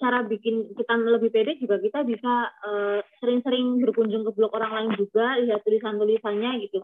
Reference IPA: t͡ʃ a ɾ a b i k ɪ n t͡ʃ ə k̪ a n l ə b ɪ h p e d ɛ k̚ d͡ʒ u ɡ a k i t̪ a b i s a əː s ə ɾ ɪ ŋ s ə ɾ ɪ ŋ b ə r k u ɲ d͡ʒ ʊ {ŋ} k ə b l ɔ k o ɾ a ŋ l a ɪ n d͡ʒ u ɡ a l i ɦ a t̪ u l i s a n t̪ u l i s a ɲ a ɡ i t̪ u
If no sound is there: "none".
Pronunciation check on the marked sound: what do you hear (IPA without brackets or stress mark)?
ŋ